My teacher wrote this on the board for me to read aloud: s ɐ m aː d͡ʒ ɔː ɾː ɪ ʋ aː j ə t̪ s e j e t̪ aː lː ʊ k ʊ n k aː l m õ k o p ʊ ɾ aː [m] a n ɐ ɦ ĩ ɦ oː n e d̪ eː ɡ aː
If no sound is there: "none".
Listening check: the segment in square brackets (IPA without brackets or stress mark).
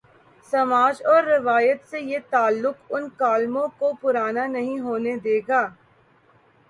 n